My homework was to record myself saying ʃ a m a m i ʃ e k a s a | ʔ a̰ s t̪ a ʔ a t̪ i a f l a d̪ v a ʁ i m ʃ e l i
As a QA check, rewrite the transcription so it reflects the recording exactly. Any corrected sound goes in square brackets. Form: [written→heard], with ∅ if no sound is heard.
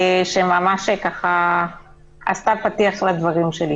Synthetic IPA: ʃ [a→e] m a m [i→a] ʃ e k a [s→χ] a | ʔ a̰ s t̪ a [ʔ→p] a t̪ i a [f→χ] l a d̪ v a ʁ i m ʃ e l i